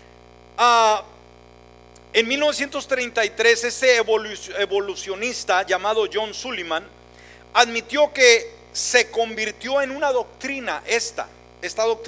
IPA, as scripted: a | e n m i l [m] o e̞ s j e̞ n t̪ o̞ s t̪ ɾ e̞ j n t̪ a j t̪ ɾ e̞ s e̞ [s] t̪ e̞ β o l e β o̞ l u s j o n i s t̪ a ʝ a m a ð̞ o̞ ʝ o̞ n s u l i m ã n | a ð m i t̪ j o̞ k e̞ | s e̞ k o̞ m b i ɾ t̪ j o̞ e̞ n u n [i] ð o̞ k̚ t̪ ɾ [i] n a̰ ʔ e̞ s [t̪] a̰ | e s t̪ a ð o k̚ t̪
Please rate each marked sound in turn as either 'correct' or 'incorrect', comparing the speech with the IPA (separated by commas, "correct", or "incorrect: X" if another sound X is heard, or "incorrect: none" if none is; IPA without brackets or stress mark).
incorrect: n, correct, incorrect: a, correct, correct